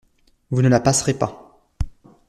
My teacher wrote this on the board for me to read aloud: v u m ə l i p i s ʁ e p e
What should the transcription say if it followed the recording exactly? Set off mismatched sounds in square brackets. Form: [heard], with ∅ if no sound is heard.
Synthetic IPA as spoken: v u [n] ə l [a] p [a] s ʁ e p [a]